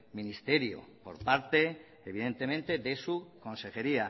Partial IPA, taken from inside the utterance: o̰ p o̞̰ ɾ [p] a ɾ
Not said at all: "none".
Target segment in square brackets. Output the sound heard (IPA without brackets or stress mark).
p